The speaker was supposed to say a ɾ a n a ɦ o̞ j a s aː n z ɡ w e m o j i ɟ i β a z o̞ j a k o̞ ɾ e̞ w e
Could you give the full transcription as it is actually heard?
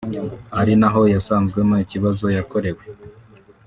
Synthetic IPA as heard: a ɾ i n a ɦ o̞ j a s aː n z ɡ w e m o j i c i β a z o̞ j a k o̞ ɾ e̞ w e